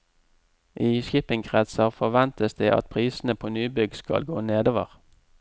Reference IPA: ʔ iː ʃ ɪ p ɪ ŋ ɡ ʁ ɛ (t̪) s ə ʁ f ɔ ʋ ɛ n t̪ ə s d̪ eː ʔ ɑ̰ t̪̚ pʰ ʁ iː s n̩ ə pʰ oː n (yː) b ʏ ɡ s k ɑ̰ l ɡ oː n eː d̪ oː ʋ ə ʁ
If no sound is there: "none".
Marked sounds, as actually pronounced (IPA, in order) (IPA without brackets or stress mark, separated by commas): t̪, yː